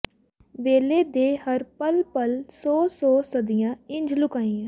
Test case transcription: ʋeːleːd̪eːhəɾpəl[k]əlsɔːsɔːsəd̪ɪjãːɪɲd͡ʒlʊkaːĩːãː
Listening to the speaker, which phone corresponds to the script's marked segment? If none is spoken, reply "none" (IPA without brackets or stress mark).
p